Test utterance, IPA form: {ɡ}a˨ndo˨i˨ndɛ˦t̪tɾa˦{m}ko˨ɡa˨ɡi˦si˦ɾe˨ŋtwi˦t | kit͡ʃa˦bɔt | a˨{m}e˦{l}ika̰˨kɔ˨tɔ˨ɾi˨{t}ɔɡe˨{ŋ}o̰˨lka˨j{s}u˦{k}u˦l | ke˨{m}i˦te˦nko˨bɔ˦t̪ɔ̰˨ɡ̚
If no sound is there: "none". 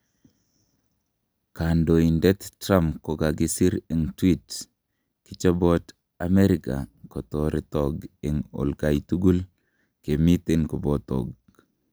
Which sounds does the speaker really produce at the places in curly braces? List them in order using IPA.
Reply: k, m, m, ɾ, t, ŋ, t, ɡ, m

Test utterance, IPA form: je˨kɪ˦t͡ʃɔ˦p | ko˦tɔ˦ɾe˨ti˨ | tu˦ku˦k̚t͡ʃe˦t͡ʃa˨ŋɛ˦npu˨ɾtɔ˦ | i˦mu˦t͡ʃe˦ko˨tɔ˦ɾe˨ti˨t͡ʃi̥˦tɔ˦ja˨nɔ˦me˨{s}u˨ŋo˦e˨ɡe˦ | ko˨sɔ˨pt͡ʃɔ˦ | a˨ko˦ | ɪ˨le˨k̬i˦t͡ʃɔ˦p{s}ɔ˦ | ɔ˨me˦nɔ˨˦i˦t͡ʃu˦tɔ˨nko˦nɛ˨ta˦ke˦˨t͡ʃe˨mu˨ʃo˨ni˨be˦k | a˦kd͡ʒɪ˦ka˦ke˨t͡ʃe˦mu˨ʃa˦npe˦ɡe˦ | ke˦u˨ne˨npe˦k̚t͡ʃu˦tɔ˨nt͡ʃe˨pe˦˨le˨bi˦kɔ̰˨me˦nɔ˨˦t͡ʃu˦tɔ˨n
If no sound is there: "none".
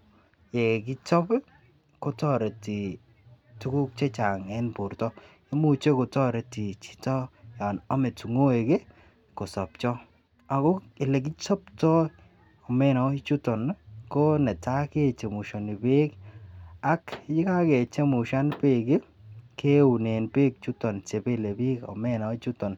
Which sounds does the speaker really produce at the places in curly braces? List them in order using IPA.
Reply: t, t

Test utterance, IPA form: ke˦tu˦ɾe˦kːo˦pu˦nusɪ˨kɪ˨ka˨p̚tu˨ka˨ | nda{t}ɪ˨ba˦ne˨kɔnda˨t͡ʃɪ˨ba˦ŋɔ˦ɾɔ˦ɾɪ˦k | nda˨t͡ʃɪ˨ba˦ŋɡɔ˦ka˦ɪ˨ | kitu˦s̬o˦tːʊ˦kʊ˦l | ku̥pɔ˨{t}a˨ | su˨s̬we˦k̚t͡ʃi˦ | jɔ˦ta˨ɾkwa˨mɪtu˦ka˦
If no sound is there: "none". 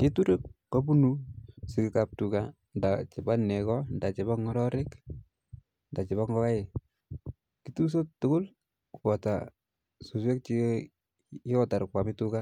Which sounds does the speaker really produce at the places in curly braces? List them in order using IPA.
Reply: t͡ʃ, t

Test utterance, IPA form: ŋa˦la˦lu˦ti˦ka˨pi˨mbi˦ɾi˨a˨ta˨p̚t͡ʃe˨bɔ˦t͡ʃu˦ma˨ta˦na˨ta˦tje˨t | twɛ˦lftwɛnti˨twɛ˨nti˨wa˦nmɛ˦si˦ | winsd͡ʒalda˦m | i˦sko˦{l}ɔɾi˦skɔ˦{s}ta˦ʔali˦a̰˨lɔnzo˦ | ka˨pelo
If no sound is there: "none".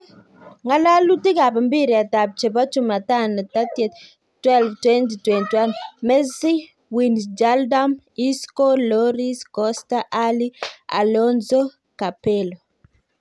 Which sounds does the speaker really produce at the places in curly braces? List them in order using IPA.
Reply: l, s

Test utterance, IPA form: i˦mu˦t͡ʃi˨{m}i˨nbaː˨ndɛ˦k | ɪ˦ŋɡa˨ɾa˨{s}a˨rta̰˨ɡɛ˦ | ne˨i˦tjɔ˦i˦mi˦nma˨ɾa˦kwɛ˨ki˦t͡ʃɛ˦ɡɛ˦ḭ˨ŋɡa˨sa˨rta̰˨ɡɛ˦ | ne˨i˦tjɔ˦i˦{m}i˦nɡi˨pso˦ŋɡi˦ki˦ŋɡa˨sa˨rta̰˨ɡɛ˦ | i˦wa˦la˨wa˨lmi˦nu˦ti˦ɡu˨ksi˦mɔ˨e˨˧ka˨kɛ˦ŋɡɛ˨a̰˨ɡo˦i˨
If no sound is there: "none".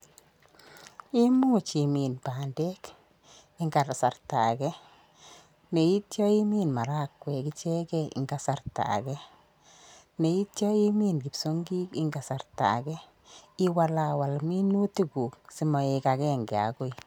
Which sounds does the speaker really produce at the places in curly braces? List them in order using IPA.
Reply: m, s, m

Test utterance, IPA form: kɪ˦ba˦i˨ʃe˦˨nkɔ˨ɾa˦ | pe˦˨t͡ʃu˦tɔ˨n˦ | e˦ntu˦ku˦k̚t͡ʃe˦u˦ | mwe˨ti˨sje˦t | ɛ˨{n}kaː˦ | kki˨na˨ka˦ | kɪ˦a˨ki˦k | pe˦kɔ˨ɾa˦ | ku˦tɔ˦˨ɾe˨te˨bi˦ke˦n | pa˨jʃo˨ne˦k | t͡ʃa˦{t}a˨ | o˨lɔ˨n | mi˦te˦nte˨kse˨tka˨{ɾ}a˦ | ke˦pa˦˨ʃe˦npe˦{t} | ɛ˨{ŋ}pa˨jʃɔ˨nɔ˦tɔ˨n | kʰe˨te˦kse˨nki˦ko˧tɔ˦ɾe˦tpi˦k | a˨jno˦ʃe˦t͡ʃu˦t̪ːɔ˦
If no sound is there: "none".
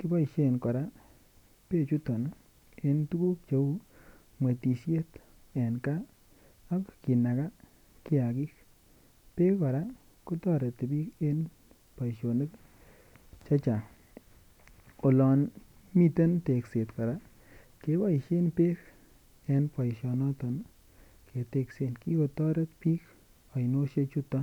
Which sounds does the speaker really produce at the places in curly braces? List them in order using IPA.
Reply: n, t͡ʃ, ɾ, k, n

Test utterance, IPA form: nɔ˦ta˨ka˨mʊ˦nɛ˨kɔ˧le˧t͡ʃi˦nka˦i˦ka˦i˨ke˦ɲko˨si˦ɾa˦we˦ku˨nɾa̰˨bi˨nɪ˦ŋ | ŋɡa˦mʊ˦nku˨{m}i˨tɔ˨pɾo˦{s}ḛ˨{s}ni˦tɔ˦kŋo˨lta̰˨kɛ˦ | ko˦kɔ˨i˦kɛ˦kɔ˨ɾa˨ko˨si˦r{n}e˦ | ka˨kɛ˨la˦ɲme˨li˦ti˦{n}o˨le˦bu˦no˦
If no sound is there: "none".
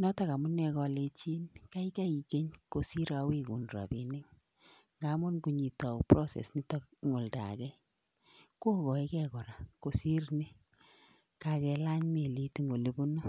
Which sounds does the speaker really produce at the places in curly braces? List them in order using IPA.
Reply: ɲ, s, s, n, ŋ

